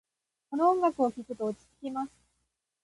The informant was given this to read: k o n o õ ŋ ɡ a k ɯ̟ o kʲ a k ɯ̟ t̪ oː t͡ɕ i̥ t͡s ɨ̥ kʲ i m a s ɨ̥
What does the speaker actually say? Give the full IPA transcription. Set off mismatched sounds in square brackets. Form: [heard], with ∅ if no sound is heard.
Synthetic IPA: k o n o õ ŋ ɡ a k ɯ̟ o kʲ [i] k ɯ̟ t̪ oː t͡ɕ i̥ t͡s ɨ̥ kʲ i m a s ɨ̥